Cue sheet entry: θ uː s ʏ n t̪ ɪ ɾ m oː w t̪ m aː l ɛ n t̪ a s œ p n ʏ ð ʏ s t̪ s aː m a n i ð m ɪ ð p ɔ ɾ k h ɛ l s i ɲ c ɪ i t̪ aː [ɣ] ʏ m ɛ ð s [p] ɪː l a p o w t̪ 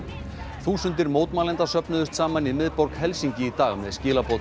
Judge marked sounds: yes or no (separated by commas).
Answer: yes, no